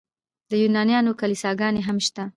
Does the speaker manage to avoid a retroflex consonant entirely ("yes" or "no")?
yes